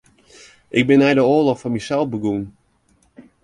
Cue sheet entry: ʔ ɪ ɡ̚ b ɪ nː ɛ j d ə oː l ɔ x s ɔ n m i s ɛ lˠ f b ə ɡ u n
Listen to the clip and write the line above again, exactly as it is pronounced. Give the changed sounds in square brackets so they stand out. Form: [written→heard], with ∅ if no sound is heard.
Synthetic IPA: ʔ ɪ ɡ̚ b ɪ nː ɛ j d ə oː l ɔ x [s→f] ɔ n m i s ɛ lˠ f b ə ɡ u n